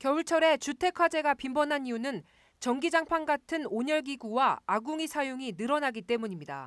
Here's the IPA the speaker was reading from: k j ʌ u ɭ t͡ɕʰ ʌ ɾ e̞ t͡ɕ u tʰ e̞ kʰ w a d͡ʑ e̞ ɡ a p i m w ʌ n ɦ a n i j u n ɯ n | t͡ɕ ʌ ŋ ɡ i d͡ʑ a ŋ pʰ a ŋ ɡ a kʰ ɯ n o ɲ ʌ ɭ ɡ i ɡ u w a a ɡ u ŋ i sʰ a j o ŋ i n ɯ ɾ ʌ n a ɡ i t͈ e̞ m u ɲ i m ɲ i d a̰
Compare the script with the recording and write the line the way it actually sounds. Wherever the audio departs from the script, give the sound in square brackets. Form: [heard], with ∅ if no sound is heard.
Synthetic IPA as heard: k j ʌ u ɭ t͡ɕʰ ʌ ɾ e̞ t͡ɕ u tʰ e̞ kʰ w a d͡ʑ e̞ ɡ a p i m [b] ʌ n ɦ a n i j u n ɯ n | t͡ɕ ʌ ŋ ɡ i d͡ʑ a ŋ pʰ a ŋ ɡ a [tʰ] ɯ n o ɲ ʌ ɭ ɡ i ɡ u w a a ɡ u ŋ i sʰ a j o ŋ i n ɯ ɾ ʌ n a ɡ i t͈ e̞ m u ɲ i m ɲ i d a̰